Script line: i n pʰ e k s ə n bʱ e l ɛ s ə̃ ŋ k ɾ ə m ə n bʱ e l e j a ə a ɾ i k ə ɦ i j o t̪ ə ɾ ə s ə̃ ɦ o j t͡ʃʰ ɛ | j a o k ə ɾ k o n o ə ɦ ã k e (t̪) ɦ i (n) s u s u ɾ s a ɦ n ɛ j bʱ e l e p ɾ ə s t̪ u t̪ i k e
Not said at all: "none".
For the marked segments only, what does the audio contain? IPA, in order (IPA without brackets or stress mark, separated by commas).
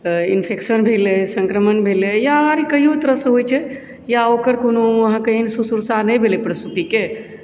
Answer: none, n